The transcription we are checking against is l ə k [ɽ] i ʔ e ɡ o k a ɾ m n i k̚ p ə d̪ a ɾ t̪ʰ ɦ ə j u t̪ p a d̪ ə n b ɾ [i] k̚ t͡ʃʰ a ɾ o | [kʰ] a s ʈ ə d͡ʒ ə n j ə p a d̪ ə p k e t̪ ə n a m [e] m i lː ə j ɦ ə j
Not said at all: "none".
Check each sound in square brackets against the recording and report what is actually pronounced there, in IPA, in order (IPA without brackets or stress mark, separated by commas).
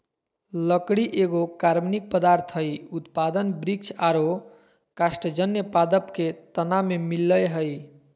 ɽ, i, k, e